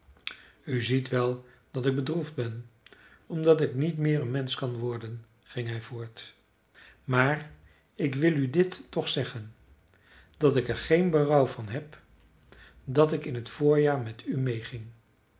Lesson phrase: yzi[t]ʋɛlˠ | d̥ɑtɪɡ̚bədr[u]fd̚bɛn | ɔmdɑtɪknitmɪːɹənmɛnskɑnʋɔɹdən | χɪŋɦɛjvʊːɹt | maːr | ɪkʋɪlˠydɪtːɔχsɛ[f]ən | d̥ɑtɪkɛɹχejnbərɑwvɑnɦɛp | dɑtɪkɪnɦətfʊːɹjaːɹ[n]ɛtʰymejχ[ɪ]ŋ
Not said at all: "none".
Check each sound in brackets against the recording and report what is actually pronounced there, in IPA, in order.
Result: t, u, χ, m, ɪ

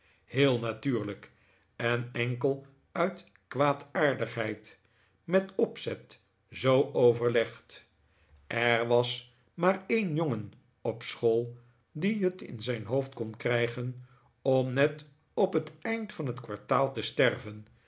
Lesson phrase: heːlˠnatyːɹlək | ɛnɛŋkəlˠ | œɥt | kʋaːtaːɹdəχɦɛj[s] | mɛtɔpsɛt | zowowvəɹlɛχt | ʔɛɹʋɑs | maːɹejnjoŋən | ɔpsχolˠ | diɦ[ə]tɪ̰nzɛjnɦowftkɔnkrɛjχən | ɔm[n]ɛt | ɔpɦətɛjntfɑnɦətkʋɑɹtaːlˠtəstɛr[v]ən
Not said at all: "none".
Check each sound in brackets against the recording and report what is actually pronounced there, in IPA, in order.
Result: t, ə, n, v

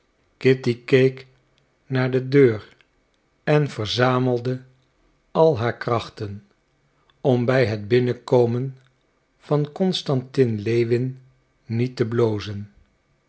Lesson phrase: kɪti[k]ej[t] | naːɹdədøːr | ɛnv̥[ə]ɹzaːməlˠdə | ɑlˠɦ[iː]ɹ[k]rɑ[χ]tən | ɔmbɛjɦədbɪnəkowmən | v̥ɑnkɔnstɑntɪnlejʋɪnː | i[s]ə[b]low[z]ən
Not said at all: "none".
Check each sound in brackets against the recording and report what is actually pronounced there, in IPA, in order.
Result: k, k, ə, aː, k, χ, t, b, z

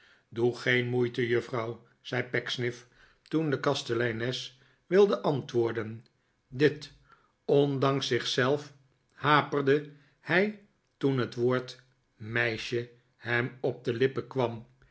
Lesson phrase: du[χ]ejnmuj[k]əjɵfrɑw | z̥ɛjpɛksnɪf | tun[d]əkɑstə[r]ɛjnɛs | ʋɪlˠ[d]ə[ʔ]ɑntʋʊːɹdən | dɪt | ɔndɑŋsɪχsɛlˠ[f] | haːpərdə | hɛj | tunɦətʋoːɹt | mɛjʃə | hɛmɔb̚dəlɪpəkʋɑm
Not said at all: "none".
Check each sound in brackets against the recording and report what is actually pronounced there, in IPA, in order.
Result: χ, t, d, l, d, ʔ, f

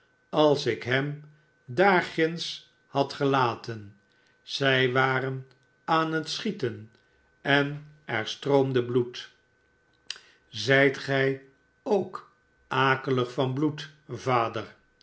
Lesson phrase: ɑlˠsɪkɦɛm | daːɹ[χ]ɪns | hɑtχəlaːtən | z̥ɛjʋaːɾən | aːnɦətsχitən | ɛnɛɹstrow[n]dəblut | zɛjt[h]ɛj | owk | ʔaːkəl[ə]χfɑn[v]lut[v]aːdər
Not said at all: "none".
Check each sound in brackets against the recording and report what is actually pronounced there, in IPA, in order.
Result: χ, m, χ, ə, b, v

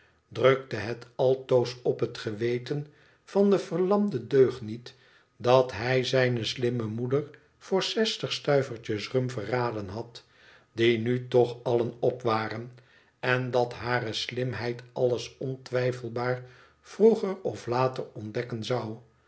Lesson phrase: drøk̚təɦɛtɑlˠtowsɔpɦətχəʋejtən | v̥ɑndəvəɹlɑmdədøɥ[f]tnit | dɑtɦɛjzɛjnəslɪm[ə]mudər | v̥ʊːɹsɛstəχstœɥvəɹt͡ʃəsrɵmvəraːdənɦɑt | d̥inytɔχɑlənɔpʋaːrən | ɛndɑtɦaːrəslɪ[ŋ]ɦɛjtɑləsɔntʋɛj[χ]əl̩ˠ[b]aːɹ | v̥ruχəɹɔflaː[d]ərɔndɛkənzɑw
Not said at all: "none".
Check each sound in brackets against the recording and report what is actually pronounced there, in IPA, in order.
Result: χ, ə, m, f, b, t

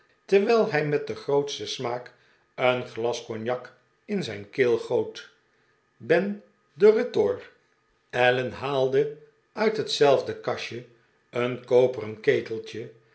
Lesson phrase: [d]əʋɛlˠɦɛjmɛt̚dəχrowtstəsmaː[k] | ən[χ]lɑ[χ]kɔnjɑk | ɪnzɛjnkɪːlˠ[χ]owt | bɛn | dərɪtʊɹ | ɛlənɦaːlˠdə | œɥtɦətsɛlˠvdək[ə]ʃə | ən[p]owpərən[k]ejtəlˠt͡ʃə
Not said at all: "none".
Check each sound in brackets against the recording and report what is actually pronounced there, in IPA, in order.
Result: t, k, χ, s, χ, ɑ, k, k

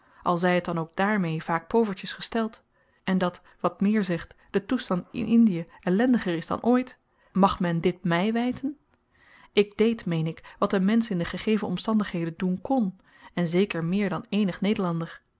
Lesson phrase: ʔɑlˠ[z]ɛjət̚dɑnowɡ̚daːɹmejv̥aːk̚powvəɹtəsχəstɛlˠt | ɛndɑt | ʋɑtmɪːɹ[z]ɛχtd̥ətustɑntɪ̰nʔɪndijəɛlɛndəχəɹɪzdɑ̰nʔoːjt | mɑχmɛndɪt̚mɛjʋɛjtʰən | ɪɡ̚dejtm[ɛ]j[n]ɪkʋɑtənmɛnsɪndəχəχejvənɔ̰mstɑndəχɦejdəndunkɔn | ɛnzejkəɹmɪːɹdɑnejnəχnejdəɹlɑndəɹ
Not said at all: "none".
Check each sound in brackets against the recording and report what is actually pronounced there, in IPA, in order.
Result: z, z, e, n

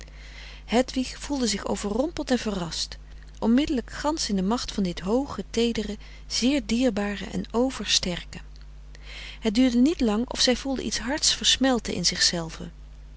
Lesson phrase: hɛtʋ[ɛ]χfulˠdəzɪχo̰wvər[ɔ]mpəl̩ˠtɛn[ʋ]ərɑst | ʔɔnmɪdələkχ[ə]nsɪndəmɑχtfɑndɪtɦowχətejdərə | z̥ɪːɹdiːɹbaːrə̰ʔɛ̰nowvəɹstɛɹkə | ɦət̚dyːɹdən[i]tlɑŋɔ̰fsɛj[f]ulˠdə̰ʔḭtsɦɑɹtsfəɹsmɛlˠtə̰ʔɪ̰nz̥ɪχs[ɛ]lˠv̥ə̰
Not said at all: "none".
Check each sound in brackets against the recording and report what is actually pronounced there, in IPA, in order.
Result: i, ɔ, v, ɑ, i, v, ɛ

